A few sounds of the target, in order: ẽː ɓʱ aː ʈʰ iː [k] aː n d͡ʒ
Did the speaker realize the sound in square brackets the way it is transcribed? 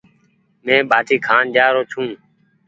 no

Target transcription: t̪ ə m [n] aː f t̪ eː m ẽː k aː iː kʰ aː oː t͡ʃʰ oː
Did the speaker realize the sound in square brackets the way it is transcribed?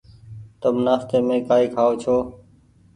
yes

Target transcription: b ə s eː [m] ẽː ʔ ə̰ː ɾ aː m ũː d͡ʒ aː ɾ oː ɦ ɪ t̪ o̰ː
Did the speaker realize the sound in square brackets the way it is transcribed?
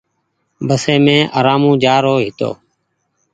yes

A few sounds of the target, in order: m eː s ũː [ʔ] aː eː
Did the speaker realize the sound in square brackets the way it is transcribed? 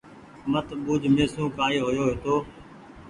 no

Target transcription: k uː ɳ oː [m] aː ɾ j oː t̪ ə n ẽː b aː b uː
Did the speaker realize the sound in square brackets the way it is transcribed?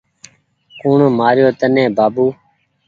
yes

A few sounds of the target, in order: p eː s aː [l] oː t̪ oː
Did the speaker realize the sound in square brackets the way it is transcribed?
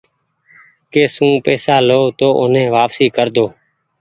yes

